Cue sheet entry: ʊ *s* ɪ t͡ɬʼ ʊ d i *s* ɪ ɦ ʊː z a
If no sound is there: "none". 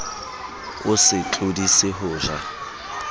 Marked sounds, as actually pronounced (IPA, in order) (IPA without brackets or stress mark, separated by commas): s, s